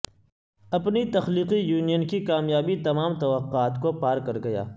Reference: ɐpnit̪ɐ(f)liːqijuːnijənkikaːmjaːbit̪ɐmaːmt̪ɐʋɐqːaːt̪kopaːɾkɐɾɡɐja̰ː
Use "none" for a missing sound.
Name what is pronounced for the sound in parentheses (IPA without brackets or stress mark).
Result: x